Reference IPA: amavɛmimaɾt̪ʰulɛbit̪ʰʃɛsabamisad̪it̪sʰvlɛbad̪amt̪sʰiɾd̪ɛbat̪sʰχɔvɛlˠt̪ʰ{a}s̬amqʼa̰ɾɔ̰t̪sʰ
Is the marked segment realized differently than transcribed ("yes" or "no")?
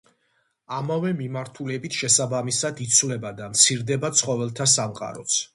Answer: no